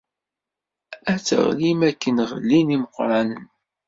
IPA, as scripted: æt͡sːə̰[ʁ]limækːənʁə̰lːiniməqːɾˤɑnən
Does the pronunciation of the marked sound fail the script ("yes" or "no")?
no